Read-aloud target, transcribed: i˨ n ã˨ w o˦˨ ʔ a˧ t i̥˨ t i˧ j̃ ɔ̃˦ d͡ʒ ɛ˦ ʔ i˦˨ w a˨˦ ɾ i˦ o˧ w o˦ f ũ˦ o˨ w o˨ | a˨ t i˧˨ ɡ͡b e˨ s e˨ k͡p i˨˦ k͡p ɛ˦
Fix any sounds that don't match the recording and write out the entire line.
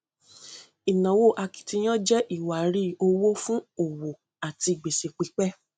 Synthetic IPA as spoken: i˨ n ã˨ w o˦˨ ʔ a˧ k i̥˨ t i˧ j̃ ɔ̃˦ d͡ʒ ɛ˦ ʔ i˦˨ w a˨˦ ɾ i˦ o˧ w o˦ f ũ˦ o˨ w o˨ | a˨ t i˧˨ ɡ͡b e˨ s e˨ k͡p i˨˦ k͡p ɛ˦

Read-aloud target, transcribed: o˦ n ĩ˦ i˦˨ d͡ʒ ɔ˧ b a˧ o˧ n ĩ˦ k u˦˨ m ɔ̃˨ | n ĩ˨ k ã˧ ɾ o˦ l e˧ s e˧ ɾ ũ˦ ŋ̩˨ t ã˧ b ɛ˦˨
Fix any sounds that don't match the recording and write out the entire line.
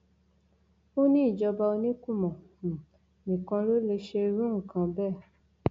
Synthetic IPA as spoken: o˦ n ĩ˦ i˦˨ d͡ʒ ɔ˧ b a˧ o˧ n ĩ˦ k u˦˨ m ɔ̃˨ | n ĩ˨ k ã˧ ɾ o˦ l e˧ ʃ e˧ ɾ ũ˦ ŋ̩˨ k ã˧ b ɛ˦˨

